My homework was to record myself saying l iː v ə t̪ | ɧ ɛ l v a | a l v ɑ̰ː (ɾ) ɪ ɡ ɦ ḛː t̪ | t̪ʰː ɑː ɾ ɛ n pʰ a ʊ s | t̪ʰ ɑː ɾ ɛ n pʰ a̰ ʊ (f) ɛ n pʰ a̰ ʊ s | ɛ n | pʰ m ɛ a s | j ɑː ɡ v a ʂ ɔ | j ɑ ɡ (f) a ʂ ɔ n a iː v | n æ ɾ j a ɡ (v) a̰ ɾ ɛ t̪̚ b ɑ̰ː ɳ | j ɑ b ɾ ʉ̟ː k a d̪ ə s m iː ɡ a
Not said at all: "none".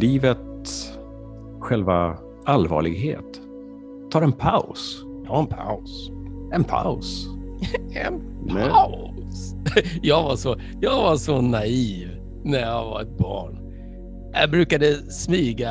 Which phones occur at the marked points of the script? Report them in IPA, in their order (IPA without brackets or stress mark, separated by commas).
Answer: ɭ, s, v, v